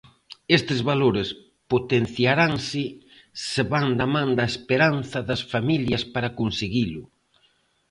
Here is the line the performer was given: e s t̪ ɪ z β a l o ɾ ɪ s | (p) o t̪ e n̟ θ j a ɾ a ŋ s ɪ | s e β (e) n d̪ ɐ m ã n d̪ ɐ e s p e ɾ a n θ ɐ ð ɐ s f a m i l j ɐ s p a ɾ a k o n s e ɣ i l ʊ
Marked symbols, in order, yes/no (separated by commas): yes, no